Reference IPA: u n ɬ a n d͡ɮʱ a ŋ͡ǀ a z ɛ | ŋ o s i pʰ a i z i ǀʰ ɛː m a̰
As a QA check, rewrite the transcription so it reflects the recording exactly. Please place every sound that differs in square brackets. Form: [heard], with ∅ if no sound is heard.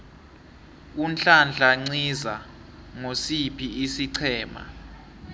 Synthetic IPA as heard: u n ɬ a n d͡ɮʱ a ŋ͡ǀ [i] z [a] | ŋ o s i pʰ [i] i [s] i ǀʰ ɛː m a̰

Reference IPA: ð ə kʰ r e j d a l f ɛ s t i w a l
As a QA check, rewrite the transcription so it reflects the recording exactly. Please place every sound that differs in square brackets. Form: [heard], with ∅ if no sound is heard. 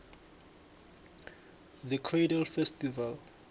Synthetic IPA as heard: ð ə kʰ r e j d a l f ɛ s t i [v] a l

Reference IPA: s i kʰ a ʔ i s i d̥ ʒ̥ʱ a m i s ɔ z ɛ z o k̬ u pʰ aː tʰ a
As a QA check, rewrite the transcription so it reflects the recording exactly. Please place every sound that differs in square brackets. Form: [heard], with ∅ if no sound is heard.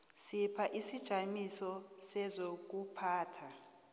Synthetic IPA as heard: s i [pʰ] a ʔ i s i d̥ ʒ̥ʱ a m i s ɔ [s] ɛ z o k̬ u pʰ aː tʰ a

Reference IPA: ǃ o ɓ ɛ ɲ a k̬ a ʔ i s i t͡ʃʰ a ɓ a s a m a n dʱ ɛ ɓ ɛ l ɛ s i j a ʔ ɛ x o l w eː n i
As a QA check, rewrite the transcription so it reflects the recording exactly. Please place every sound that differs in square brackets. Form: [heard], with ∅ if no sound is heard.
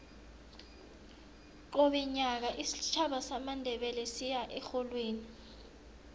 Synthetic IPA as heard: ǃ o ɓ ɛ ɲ a k̬ a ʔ i s i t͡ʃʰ a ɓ a s a m a n dʱ ɛ ɓ ɛ l ɛ s i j a ʔ ɛ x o l w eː n i

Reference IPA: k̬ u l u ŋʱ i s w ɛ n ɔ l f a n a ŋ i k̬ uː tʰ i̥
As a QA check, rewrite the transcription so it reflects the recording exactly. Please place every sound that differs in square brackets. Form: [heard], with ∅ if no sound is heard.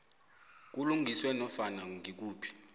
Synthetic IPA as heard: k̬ u l u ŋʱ i s w ɛ n ɔ [∅] f a n a ŋ i k̬ uː [pʰ] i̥

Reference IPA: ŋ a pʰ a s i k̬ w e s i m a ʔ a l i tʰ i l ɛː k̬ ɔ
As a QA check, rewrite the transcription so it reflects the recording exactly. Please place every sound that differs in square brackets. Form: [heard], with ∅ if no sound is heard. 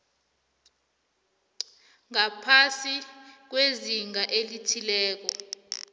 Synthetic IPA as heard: ŋ a pʰ a s i k̬ w e [z] i [ŋ] a ʔ [e] l i tʰ i l ɛː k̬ ɔ

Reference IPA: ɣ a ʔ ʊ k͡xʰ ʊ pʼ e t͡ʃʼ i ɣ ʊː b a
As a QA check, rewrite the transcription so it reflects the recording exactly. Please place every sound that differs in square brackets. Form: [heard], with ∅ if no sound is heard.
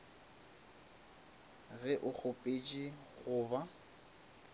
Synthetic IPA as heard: ɣ [ɛ] ʔ ʊ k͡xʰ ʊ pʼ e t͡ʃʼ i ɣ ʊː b a

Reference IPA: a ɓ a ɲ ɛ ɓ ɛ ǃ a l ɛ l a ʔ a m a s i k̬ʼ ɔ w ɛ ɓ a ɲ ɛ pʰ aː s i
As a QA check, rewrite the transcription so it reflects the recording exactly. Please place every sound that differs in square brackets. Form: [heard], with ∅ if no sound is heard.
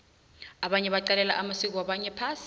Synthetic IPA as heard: a ɓ a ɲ ɛ ɓ [a] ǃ a l ɛ l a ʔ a m a s i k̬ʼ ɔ w [a] ɓ a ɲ ɛ pʰ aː s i

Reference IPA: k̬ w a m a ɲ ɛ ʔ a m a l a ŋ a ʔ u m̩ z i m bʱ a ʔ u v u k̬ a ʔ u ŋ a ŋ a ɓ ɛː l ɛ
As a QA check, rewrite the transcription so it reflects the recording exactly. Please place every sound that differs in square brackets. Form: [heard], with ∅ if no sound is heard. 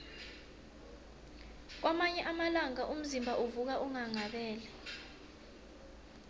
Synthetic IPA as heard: k̬ w a m a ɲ ɛ ʔ a m a l a ŋ a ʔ u m̩ z i m bʱ a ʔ u v u k̬ a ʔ u ŋ a ŋ a ɓ ɛː l ɛ

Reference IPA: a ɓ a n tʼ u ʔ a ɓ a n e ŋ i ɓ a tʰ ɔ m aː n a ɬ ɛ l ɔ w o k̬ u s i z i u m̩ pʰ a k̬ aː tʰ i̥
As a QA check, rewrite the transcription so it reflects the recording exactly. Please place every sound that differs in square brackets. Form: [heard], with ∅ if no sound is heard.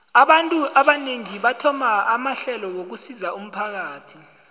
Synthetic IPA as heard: a ɓ a n tʼ u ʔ a ɓ a n e ŋ i ɓ a tʰ ɔ m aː [m] a ɬ ɛ l ɔ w o k̬ u s i z [a] u m̩ pʰ a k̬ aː tʰ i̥

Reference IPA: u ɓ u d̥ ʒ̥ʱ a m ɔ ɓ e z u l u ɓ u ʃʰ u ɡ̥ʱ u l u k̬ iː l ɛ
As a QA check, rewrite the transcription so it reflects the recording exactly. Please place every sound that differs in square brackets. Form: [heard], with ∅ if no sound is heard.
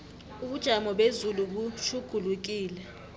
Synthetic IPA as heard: u ɓ u d̥ ʒ̥ʱ a m ɔ ɓ e z u l u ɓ u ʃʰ u ɡ̥ʱ u l u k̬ iː l ɛ

